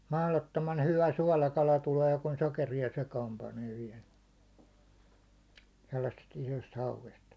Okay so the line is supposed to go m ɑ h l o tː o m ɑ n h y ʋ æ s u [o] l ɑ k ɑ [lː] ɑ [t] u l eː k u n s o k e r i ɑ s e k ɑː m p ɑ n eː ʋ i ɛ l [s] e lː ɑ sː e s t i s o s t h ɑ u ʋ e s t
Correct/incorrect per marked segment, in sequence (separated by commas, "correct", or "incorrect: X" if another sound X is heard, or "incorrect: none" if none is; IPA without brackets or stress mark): incorrect: ɒ, incorrect: l, correct, correct